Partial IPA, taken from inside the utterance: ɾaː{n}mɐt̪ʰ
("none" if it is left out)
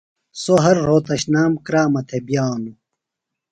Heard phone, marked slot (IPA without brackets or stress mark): none